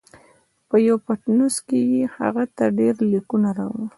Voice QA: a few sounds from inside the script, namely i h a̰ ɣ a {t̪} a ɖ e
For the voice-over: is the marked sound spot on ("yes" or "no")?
yes